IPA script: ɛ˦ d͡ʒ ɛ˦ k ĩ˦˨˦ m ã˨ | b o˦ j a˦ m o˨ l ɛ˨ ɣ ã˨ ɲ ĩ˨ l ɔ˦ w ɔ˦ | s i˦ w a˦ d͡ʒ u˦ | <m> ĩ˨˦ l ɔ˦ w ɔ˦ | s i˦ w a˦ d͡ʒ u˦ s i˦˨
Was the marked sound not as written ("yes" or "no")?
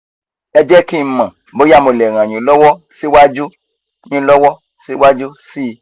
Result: yes